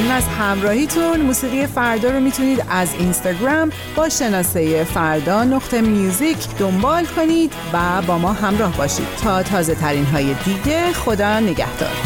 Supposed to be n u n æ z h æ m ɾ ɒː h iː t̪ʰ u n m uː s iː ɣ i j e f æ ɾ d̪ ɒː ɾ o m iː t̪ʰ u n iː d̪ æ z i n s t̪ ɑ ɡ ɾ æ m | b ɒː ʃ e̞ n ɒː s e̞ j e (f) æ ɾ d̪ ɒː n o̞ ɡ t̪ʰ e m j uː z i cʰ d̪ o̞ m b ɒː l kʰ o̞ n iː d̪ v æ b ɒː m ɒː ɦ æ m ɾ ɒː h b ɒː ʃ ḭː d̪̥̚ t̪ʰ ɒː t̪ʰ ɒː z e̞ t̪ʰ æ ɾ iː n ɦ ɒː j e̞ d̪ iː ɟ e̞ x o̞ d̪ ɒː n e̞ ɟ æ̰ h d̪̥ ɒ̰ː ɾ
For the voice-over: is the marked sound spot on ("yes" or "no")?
yes